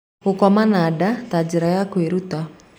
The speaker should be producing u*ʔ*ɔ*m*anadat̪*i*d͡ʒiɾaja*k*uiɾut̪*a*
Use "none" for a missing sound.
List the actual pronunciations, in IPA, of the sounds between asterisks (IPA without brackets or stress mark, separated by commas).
k, m, a, k, a